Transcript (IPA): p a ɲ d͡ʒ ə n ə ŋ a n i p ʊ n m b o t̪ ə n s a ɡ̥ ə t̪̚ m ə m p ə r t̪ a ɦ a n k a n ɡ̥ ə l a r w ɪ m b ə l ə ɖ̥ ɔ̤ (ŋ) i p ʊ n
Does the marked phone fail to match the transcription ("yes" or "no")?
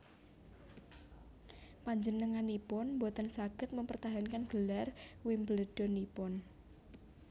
yes